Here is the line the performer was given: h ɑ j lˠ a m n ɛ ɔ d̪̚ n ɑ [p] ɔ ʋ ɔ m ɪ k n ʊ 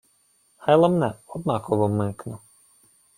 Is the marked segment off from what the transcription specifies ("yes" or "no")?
yes